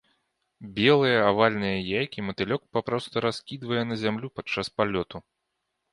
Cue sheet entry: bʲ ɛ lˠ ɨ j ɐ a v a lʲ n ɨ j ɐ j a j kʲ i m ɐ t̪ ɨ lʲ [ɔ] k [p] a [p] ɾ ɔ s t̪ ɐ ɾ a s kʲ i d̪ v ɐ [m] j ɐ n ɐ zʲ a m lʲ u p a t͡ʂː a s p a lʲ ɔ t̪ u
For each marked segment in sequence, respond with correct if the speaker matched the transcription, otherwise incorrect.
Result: correct, correct, correct, incorrect

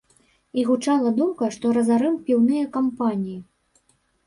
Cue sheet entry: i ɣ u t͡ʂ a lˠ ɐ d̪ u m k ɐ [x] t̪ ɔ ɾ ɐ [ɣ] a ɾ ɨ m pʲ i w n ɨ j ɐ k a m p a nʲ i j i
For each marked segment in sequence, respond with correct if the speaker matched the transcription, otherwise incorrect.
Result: incorrect, incorrect

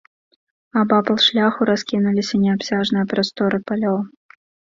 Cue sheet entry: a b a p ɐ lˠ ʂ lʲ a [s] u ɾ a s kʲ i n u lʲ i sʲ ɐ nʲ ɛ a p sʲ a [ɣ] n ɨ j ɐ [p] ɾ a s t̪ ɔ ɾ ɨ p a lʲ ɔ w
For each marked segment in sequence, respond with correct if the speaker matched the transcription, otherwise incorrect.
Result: incorrect, incorrect, correct

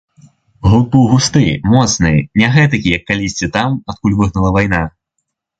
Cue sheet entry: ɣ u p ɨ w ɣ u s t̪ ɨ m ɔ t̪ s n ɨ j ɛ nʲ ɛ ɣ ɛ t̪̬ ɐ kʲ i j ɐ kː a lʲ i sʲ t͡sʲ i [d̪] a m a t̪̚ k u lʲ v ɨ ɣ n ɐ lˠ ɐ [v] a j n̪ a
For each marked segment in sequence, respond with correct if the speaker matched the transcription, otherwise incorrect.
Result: incorrect, correct

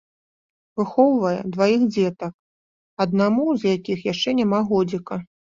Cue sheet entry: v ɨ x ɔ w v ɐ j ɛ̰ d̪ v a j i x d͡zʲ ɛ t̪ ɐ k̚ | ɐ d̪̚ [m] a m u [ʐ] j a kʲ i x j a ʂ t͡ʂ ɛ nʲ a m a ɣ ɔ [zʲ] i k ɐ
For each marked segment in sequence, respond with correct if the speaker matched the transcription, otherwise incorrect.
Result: incorrect, incorrect, incorrect

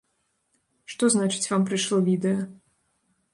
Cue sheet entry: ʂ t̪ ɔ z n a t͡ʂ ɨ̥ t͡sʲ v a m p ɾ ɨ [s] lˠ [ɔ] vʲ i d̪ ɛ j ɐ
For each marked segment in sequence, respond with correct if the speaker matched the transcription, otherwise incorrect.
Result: incorrect, correct

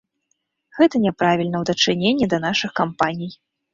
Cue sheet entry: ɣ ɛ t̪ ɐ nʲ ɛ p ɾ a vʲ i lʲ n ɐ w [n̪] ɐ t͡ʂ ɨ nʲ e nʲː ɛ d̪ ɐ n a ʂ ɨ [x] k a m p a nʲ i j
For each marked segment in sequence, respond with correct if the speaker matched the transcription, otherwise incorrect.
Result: incorrect, correct

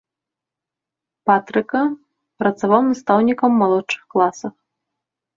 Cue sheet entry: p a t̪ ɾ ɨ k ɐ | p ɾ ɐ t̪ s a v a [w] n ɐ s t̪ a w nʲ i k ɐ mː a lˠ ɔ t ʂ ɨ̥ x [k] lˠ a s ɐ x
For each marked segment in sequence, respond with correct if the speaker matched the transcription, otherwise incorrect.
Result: correct, correct

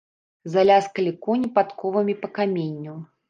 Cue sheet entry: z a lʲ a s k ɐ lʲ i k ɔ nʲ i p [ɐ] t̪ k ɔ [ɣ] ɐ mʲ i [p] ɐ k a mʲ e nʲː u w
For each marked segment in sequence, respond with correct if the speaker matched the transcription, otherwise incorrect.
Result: incorrect, incorrect, correct

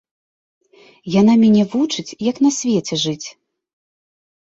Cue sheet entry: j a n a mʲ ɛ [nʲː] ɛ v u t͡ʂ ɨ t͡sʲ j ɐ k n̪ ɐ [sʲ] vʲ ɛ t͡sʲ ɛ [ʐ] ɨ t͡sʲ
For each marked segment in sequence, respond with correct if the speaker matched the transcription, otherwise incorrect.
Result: incorrect, correct, correct

